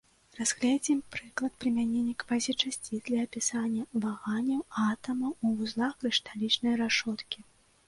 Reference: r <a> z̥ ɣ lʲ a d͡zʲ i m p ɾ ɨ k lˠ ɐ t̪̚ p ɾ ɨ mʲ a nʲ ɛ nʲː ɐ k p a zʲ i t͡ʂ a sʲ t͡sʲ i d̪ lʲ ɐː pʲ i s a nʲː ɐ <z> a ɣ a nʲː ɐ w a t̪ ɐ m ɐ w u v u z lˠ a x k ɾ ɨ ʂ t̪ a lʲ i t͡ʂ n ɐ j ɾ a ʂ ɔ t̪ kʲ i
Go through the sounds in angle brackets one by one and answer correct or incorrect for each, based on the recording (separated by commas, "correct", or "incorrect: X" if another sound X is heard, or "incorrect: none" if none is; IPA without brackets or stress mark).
correct, incorrect: v